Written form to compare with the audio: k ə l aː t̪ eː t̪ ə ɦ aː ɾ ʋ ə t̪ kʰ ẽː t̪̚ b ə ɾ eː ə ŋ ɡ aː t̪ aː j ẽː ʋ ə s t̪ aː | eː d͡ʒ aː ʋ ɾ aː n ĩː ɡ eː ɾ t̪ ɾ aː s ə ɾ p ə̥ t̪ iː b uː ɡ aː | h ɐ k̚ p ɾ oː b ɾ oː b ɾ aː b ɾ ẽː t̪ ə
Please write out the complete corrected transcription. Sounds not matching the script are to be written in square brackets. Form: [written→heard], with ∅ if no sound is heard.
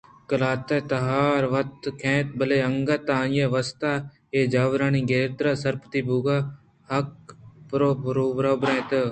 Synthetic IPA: k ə l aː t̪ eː t̪ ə ɦ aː ɾ ʋ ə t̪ kʰ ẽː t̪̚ b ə [ɾ→l] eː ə ŋ ɡ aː t̪ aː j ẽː ʋ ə s t̪ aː | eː d͡ʒ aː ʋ ɾ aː n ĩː ɡ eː ɾ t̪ ɾ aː s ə ɾ p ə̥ t̪ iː b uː ɡ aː | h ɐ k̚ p ɾ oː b ɾ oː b ɾ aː b ɾ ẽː t̪ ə